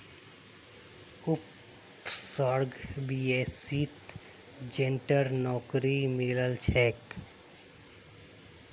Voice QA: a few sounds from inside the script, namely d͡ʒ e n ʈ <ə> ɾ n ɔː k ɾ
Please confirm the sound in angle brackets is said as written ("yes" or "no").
yes